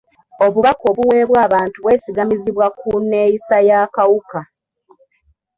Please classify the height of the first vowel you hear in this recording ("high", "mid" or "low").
mid